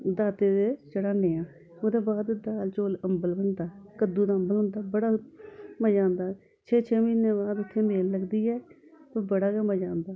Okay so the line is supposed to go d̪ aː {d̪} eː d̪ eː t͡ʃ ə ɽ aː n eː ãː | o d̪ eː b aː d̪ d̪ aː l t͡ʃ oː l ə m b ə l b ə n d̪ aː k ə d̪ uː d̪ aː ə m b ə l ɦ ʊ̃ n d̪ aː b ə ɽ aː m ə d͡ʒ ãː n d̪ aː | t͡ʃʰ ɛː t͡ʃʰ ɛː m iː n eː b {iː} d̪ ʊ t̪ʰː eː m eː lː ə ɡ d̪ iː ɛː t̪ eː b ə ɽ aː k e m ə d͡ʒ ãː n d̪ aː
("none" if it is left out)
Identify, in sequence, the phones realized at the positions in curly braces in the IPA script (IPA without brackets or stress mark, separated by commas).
t̪, aː